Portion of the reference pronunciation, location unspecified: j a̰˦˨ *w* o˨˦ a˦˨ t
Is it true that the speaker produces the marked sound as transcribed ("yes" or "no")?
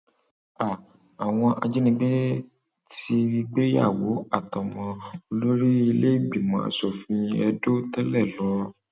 yes